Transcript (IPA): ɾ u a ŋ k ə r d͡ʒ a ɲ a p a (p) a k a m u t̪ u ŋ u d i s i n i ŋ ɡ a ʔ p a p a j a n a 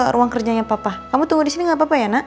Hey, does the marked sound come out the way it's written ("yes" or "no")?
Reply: yes